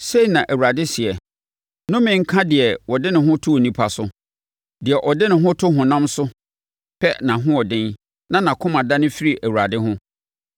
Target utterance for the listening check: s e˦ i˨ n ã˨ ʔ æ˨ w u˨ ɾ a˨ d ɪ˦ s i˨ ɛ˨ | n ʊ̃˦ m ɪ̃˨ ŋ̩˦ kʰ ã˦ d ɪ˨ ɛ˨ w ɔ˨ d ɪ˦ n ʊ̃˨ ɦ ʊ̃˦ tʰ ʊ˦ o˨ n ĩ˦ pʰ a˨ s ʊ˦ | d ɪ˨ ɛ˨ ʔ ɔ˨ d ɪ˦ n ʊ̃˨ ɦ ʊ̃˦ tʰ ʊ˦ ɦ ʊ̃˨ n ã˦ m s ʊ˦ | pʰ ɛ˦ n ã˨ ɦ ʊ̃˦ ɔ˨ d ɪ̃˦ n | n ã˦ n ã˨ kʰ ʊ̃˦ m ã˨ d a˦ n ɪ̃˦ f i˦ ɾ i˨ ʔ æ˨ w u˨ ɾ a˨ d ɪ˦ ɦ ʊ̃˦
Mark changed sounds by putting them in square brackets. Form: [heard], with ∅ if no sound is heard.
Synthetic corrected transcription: s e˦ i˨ n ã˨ ʔ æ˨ w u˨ ɾ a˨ d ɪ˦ s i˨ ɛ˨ | n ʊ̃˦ m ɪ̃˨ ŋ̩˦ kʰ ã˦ d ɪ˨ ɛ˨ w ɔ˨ d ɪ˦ n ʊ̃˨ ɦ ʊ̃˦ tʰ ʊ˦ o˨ n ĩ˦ pʰ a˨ s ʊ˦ | d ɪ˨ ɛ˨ ʔ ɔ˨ d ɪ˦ n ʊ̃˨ ɦ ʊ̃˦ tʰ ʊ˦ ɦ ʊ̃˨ n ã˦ m s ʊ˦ | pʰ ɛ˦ n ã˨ ɦ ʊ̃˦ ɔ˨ d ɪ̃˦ n | n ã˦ n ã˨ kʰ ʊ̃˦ m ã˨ d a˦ n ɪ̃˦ f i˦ ɾ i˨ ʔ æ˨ w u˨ ɾ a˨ d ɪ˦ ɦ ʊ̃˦